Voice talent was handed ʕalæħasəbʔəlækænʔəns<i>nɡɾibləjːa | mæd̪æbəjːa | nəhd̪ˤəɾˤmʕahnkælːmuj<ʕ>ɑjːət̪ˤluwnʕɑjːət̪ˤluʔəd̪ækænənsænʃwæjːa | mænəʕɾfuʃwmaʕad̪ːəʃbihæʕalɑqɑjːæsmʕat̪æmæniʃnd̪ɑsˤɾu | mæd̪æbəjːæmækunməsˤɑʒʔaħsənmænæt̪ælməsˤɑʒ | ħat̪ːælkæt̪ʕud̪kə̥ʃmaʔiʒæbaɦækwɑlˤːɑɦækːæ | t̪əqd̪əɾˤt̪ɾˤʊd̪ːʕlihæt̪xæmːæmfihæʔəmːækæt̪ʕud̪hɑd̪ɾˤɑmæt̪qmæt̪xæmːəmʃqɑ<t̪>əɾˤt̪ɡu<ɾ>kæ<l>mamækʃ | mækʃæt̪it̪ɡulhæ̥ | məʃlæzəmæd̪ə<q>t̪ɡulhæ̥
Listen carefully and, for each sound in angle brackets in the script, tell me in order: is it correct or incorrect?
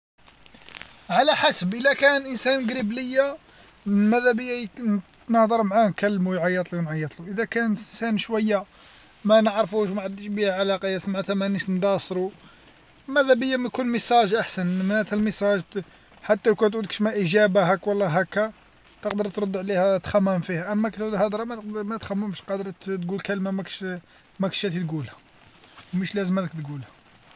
incorrect, correct, incorrect, incorrect, correct, incorrect

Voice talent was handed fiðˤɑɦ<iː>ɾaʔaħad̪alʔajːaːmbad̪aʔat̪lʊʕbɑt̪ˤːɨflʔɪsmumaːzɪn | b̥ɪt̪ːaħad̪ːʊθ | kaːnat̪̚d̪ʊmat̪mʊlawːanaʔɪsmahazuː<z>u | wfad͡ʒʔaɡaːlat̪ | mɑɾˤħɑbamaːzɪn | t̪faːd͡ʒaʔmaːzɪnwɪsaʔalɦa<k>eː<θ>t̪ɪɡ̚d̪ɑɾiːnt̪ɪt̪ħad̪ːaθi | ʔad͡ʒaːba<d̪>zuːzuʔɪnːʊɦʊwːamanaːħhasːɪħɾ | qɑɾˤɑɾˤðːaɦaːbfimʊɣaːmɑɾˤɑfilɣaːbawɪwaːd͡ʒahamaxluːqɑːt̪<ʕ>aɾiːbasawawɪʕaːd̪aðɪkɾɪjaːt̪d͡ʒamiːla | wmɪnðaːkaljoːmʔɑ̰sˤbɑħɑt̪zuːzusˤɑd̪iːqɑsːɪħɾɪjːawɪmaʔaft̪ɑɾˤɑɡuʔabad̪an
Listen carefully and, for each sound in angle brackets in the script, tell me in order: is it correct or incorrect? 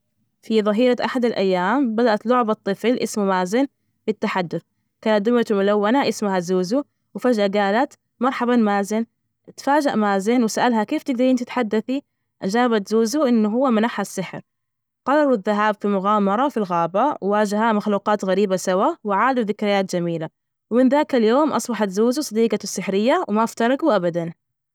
correct, correct, correct, incorrect, incorrect, incorrect

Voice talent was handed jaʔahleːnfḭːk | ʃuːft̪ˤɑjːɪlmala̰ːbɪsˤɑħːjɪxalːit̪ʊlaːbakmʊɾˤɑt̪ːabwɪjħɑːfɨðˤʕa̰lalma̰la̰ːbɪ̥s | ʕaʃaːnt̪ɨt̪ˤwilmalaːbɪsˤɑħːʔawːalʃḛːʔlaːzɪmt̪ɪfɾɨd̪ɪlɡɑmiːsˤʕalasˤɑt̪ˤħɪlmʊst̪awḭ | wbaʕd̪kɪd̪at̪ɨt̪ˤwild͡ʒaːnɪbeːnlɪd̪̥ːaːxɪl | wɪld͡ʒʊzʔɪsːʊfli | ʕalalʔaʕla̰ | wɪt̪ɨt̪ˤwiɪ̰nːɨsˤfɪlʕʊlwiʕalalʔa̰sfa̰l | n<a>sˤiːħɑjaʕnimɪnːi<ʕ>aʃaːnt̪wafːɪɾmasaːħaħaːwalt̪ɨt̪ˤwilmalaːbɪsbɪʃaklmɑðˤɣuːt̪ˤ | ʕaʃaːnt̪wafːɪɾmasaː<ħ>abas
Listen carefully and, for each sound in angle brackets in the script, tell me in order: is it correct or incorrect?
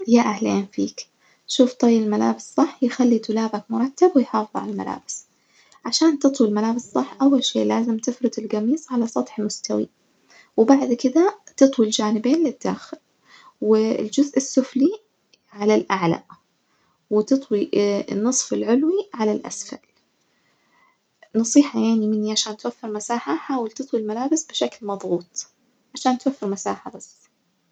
incorrect, correct, correct

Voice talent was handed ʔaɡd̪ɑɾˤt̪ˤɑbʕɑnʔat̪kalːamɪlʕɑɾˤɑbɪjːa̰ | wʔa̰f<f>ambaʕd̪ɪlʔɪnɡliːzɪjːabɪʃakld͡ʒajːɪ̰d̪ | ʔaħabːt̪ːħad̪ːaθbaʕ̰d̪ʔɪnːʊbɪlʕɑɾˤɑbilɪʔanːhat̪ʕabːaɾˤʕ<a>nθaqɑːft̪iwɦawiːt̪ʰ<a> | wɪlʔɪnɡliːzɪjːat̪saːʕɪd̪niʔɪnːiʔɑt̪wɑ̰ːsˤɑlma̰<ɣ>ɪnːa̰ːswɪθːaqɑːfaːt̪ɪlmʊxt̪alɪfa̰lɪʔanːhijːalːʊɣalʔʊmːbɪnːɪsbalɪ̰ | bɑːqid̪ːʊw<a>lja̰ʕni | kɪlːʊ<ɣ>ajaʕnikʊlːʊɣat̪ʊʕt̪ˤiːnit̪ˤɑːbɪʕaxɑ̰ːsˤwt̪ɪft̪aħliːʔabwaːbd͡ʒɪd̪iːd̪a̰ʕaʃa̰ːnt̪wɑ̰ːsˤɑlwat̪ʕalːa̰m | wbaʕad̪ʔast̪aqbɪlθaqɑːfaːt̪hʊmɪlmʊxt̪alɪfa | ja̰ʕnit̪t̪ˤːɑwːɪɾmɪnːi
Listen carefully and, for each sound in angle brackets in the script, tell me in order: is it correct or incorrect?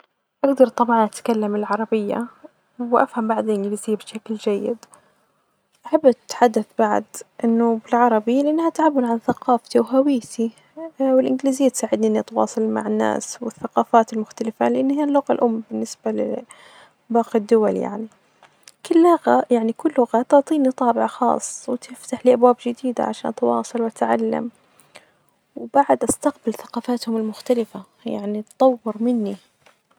incorrect, correct, incorrect, incorrect, correct, correct

